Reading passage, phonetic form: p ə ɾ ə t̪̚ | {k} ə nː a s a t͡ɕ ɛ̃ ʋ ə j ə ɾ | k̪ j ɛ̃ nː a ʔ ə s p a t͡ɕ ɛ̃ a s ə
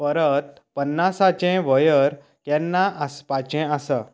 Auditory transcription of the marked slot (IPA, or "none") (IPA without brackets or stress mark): p